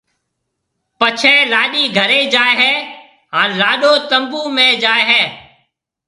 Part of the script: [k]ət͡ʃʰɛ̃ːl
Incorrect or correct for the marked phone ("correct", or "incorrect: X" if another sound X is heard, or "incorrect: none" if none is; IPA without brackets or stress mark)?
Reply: incorrect: p